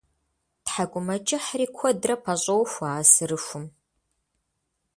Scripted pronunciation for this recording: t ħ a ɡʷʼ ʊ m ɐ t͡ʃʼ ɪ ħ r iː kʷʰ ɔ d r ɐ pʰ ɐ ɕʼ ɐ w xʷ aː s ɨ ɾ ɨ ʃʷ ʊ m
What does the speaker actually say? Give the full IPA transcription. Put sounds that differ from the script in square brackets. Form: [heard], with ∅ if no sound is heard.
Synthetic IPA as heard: t ħ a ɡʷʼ ʊ m ɐ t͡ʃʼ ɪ ħ r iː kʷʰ ɔ d r ɐ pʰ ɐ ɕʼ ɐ w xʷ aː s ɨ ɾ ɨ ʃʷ ʊ m